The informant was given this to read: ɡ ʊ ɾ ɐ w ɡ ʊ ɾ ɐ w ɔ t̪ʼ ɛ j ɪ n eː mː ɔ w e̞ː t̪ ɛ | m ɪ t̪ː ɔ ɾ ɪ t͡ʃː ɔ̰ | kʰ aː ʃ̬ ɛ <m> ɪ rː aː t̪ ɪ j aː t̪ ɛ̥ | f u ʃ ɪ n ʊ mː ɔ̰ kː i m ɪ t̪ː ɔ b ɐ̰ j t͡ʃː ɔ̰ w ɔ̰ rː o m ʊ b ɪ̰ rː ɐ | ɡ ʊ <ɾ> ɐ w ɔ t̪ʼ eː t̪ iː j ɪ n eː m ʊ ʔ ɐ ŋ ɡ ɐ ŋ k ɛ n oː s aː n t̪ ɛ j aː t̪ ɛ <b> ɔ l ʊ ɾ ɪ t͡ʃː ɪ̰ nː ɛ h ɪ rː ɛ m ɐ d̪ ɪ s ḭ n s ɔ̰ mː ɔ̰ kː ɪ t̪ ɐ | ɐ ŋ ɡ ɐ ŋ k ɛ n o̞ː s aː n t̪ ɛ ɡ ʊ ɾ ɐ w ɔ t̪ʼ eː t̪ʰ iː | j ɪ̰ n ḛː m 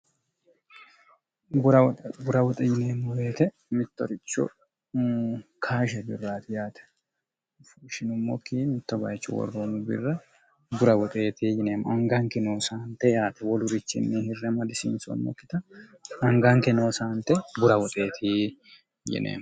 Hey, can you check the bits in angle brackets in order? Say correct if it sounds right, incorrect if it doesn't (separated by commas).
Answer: incorrect, correct, incorrect